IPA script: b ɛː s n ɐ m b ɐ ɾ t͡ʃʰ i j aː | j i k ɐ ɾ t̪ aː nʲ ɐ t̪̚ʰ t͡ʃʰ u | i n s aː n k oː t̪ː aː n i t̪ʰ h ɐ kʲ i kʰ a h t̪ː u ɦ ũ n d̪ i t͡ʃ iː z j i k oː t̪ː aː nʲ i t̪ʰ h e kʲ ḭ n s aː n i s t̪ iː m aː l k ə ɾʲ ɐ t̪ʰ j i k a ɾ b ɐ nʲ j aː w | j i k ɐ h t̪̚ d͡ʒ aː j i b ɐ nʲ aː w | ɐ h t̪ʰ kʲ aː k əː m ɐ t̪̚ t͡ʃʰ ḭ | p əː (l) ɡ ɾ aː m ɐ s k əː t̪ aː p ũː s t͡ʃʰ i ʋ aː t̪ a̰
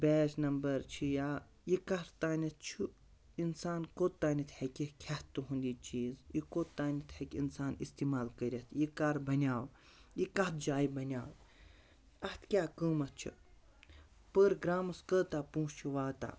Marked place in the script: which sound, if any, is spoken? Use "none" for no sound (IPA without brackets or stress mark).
ɾ